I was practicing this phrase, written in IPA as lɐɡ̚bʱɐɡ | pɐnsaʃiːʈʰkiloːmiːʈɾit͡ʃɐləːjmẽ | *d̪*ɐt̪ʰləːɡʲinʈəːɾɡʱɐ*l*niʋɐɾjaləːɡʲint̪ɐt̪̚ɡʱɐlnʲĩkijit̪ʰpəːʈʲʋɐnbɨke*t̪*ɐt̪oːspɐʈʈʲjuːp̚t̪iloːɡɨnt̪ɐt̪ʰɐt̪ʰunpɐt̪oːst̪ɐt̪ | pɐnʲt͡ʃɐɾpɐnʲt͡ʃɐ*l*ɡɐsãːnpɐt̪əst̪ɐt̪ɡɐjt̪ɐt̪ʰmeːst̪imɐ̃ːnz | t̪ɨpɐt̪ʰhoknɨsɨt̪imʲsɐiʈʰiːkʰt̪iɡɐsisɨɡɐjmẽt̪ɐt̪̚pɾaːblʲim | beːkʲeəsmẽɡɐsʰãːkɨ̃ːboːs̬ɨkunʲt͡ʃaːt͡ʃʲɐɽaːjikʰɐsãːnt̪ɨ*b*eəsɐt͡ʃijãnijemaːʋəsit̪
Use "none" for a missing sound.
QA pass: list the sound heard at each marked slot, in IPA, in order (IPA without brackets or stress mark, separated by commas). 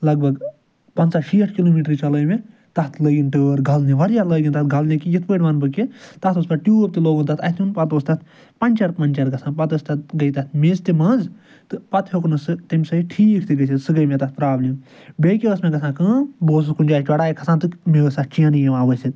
t̪, l, t̪, ɾ, m